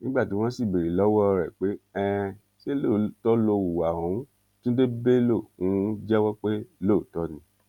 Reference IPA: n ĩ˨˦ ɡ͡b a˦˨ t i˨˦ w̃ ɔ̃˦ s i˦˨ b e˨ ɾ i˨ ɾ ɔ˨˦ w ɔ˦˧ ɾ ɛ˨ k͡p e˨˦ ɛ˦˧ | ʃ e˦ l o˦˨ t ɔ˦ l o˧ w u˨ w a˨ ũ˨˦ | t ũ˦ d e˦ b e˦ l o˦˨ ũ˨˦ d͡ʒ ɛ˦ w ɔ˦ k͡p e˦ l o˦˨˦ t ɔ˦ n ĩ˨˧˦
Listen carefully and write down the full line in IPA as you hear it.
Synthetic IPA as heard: n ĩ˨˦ ɡ͡b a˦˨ t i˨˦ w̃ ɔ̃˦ s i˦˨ b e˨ ɾ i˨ l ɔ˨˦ w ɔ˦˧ ɾ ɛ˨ k͡p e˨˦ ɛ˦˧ | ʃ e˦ l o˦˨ t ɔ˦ l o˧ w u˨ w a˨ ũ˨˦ | t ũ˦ d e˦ b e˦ l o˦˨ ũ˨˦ d͡ʒ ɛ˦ w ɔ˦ k͡p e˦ l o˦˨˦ t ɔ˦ n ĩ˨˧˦

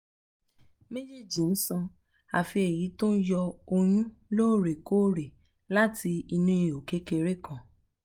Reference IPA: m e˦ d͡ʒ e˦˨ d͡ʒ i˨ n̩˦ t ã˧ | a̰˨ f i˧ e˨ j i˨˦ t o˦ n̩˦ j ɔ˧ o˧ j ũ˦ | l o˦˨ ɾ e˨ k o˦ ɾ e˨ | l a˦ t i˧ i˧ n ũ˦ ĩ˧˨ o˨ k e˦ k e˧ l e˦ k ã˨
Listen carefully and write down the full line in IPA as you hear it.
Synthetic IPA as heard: m e˦ d͡ʒ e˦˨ d͡ʒ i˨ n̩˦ s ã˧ | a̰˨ f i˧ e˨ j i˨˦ t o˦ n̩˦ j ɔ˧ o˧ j ũ˦ | l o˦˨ ɾ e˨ k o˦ ɾ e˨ | l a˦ t i˧ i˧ n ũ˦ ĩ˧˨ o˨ k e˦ k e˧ ɾ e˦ k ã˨

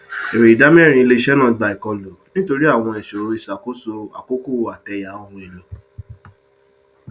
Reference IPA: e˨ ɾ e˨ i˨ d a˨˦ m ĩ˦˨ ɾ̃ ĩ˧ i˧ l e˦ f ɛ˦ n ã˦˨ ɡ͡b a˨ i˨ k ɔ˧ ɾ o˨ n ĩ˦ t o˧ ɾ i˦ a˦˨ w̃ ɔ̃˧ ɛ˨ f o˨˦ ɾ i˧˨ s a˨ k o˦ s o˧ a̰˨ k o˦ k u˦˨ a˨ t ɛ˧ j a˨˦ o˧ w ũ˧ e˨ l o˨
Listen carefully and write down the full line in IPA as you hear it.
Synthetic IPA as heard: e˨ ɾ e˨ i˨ d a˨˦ m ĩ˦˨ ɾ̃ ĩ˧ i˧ l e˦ ʃ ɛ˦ n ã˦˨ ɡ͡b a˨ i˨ k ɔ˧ l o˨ n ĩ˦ t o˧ ɾ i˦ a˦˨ w̃ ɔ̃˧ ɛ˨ ʃ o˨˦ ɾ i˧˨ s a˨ k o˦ s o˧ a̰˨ k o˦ k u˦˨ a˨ t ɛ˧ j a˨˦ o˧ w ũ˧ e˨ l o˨

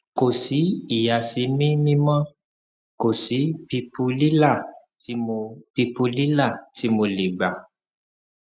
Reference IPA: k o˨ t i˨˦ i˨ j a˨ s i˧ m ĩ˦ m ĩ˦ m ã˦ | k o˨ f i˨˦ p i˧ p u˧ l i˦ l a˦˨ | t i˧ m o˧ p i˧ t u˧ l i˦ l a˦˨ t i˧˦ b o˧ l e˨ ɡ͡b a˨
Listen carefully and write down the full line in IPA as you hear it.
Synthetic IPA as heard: k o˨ s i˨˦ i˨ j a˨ s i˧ m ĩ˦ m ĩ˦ m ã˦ | k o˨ s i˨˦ p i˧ p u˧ l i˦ l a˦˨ | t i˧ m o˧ p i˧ p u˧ l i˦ l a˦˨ t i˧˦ m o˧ l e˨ ɡ͡b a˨

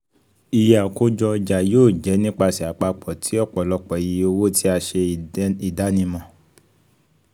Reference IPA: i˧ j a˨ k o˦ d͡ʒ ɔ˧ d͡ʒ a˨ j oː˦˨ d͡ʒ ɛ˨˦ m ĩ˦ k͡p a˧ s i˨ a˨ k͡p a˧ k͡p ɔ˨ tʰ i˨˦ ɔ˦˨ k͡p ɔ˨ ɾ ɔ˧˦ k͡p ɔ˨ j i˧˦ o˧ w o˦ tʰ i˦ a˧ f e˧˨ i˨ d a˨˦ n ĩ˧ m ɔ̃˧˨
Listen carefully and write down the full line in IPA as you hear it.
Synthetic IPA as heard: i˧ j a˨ k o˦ d͡ʒ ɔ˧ d͡ʒ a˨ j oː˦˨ d͡ʒ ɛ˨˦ n ĩ˦ k͡p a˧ s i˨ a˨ k͡p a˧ k͡p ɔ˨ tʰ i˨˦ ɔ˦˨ k͡p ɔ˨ l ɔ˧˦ k͡p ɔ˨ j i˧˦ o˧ w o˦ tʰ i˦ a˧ ʃ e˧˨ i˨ d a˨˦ n ĩ˧ m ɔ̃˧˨

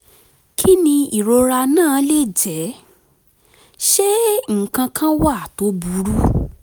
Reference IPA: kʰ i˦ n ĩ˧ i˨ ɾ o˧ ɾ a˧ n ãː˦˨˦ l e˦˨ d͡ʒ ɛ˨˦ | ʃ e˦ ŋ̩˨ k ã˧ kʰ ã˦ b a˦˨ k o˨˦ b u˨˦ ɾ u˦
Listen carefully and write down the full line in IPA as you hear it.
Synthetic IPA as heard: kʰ i˦ n ĩ˧ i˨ ɾ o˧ ɾ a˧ n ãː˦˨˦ l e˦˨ d͡ʒ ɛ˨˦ | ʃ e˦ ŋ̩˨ k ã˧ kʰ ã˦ w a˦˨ t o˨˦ b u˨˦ ɾ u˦

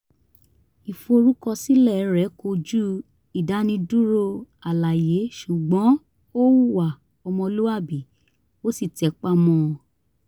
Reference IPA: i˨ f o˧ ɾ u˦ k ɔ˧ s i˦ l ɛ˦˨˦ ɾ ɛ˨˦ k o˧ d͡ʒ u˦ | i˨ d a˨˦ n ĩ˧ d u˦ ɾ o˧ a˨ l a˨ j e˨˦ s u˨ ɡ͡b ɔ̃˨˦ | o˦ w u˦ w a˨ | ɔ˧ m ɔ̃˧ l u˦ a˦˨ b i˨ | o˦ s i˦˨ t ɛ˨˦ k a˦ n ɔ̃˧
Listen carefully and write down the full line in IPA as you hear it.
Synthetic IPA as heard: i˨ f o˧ ɾ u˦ k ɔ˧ s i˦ l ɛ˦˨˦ ɾ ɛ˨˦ k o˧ d͡ʒ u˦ | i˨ d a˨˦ n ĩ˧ d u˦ ɾ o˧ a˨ l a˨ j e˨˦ ʃ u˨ ɡ͡b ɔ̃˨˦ | o˦ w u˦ w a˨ | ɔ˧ m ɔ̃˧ l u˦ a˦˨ b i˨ | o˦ s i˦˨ t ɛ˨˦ k͡p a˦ m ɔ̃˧

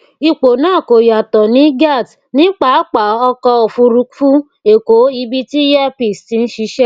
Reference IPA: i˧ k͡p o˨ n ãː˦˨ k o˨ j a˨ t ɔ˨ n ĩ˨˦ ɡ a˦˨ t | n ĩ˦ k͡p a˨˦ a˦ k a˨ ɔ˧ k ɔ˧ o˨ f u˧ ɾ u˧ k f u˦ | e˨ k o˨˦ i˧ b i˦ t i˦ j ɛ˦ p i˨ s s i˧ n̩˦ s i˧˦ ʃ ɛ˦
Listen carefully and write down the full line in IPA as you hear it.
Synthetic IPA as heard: i˧ k͡p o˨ n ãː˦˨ k o˨ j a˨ t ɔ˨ n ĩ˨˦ ɡ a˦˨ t | n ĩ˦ k͡p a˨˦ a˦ k͡p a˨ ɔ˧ k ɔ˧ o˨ f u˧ ɾ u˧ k f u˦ | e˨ k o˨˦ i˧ b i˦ t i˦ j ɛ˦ p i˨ s t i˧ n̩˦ ʃ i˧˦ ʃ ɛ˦

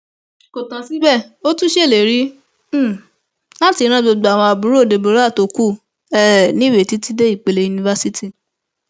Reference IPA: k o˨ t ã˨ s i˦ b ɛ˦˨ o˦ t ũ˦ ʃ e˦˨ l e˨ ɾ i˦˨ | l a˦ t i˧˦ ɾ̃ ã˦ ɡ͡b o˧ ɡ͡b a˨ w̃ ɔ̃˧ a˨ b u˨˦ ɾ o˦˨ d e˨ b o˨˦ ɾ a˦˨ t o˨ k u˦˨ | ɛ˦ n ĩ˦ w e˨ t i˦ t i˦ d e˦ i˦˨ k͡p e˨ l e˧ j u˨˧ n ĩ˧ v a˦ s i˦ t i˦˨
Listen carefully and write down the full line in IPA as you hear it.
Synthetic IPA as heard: k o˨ t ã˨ s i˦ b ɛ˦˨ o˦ t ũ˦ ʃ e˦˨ l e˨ ɾ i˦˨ | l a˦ t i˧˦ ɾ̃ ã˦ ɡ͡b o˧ ɡ͡b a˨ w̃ ɔ̃˧ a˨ b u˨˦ ɾ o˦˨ d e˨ b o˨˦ ɾ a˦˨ t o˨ k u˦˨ | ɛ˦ n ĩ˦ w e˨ t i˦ t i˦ d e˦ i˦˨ k͡p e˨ l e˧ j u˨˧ n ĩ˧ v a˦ s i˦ t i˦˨

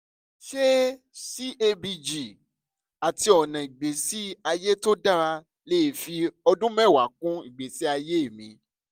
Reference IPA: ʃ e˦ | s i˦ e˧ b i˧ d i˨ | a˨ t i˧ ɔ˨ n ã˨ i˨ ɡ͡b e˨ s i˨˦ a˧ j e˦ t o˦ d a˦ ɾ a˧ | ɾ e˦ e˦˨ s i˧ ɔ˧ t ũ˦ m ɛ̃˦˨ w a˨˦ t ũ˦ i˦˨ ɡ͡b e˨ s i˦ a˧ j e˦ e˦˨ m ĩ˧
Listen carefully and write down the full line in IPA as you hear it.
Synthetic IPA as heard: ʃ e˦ | s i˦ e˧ b i˧ d͡ʒ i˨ | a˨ t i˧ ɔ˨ n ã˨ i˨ ɡ͡b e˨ s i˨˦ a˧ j e˦ t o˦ d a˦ ɾ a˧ | l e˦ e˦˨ f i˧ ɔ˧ d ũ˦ m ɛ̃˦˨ w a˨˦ k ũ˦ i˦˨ ɡ͡b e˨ s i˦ a˧ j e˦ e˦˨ m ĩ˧

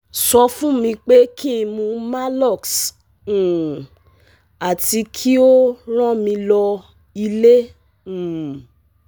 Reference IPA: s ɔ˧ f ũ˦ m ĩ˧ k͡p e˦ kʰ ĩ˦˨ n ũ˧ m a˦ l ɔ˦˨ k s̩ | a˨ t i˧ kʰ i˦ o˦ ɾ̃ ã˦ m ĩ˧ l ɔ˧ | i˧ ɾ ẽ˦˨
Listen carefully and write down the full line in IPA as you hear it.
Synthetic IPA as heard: s ɔ˧ f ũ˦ m ĩ˧ k͡p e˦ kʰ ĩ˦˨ m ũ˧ m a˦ l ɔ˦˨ k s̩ | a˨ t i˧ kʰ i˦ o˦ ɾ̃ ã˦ m ĩ˧ l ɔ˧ | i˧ l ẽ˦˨

